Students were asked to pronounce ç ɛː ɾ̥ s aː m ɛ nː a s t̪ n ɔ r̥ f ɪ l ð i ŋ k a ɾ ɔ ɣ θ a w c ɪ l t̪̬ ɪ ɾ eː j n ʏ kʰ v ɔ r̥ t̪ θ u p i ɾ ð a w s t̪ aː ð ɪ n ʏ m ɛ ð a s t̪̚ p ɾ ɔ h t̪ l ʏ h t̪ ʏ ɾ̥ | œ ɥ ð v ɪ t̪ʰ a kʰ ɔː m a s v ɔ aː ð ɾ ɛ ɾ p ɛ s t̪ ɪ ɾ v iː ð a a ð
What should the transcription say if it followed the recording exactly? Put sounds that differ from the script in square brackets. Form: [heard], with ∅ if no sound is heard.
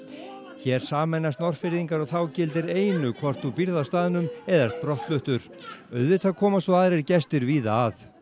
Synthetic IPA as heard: ç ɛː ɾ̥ s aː m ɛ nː a s t̪ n ɔ r̥ f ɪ [ɾ] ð i ŋ k a ɾ ɔ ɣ θ a w c ɪ l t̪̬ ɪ ɾ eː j n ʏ kʰ v ɔ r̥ t̪ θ u p i ɾ ð a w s t̪ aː ð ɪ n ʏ m ɛ ð a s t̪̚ p ɾ ɔ h t̪ l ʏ h t̪ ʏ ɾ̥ | œ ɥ ð v ɪ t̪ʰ a kʰ ɔː m a s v ɔ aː ð ɾ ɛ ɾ [c] ɛ s t̪ ɪ ɾ v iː ð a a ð

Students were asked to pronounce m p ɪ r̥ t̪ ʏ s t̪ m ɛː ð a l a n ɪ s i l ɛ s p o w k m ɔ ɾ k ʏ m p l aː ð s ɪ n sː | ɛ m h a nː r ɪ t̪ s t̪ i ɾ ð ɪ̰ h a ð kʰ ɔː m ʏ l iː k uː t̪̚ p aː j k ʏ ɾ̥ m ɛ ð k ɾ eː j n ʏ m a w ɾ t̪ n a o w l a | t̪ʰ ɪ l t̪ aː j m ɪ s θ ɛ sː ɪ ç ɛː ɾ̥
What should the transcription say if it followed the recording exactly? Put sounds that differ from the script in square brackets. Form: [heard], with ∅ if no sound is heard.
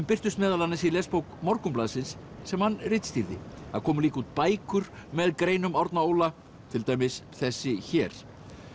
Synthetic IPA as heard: m p ɪ r̥ t̪ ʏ s t̪ m ɛː ð a l a n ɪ s i l ɛ s p o w k m ɔ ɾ k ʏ m p l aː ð s ɪ n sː | ɛ m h a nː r ɪ t̪ s t̪ i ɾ ð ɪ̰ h a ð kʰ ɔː m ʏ l iː k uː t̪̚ p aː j k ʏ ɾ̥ m ɛ ð k ɾ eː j n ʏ m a w ɾ t̪ n a o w l a | t̪ʰ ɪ l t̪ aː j m ɪ s θ ɛ sː ɪ ç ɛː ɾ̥

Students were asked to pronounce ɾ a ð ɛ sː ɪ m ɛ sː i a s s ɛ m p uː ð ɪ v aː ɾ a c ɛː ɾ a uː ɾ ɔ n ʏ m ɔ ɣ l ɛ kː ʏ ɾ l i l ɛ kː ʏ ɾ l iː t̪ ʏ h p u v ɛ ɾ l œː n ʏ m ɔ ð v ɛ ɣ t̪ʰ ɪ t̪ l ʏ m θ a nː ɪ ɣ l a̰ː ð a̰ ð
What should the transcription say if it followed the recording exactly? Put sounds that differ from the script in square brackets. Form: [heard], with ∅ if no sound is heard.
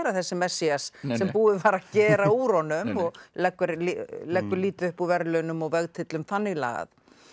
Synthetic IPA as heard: ɾ a [θ] ɛ sː ɪ m ɛ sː i a s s ɛ m p uː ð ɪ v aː ɾ a c ɛː ɾ a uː ɾ ɔ n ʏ m ɔ ɣ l ɛ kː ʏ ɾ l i l ɛ kː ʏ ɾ l iː t̪ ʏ h p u v ɛ ɾ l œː n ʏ m ɔ [ɣ] v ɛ ɣ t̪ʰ ɪ t̪ l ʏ m θ a nː ɪ ɣ l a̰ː [ɣ] a̰ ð

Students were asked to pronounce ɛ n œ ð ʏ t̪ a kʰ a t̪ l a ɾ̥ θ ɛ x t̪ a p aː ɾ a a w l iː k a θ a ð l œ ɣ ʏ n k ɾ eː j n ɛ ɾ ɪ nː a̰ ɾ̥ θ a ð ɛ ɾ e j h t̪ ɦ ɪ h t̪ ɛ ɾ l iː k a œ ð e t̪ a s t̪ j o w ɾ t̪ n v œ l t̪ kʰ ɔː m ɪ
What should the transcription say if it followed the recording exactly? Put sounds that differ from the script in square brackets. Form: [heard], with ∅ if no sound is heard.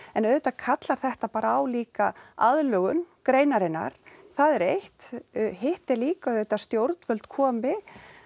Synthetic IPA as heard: ɛ n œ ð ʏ t̪ a kʰ a t̪ l a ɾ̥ θ ɛ [h] t̪ a p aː ɾ a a w l iː k a [∅] a ð l œ ɣ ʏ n k ɾ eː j n [a] ɾ ɪ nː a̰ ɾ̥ θ a ð ɛ ɾ e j h t̪ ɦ ɪ h t̪ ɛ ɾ l iː k a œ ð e t̪ a s t̪ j o w ɾ t̪ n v œ l t̪ kʰ ɔː m ɪ

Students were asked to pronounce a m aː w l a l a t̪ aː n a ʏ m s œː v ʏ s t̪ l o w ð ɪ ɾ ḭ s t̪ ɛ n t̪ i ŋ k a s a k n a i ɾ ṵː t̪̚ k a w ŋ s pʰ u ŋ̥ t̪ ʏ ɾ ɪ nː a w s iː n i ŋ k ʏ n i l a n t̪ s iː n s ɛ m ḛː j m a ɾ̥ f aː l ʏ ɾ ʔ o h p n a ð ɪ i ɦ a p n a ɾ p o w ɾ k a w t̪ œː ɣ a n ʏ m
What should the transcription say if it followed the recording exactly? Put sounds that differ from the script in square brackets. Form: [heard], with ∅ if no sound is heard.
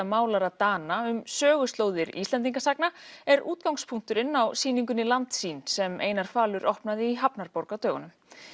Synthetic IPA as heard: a m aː w l a [ɾ] a t̪ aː n a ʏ m s œː [ɣ] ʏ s t̪ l o w ð ɪ ɾ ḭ s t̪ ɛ n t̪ i ŋ k a s a k n a [ɛ] ɾ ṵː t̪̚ k a w ŋ s pʰ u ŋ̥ t̪ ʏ ɾ ɪ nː a w s iː n i ŋ k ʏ n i l a n t̪ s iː n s ɛ m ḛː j [n] a ɾ̥ f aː l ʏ ɾ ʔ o h p n a ð ɪ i ɦ a p n a ɾ p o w ɾ k a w t̪ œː ɣ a n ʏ m

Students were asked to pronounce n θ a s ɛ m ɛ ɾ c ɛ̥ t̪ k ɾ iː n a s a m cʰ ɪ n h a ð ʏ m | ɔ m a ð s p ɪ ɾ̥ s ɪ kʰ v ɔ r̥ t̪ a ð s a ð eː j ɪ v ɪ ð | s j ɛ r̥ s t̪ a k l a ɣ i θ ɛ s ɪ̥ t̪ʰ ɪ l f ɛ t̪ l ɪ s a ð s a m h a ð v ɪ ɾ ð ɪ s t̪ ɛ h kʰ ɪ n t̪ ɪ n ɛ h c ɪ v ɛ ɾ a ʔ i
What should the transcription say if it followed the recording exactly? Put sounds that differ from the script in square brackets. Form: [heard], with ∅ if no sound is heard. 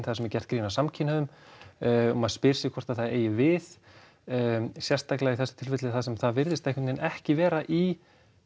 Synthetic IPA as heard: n θ a s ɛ m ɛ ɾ c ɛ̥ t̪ k ɾ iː n a s a m cʰ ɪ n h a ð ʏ m | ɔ m a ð s p ɪ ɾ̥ s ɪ kʰ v ɔ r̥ t̪ a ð [θ] a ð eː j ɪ v ɪ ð | s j ɛ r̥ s t̪ a k l a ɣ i θ ɛ s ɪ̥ t̪ʰ ɪ l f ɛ t̪ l ɪ [θ] a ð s [ɛ] m [θ] a ð v ɪ ɾ ð ɪ s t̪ ɛ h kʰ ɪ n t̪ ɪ n ɛ h c ɪ v [ɛː] ɾ a ʔ i

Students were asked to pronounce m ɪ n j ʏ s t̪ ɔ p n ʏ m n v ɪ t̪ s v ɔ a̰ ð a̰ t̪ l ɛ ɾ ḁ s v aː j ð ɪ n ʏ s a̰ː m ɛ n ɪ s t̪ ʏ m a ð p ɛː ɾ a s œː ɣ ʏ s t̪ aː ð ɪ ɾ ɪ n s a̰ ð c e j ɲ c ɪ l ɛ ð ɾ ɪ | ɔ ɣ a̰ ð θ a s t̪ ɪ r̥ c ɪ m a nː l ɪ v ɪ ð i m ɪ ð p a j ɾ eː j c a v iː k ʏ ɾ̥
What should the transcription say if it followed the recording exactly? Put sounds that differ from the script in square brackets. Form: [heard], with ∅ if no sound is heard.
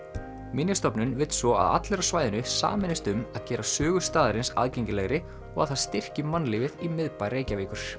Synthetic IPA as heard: m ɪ n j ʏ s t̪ ɔ p n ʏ [∅] n v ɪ t̪ s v ɔ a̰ ð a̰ t̪ l ɛ ɾ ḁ s v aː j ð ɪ n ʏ s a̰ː m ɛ n ɪ s t̪ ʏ m a ð [c] ɛː ɾ a s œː ɣ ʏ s t̪ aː ð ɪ ɾ ɪ n s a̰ ð c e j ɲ c ɪ l ɛ [ɣ] ɾ ɪ | ɔ ɣ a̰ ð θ a s t̪ ɪ r̥ c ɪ m a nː l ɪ v ɪ ð i m ɪ ð p a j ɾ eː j c a v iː k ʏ ɾ̥

